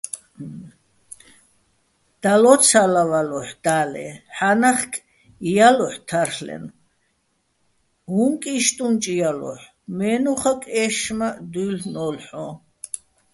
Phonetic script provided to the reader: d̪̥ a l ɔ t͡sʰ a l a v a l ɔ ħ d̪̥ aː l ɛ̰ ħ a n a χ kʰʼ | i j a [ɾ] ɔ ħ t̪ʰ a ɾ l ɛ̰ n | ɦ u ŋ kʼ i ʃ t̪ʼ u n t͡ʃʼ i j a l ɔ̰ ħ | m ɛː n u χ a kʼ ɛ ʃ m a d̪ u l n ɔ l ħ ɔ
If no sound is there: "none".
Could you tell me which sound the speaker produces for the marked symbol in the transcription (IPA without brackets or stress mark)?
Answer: l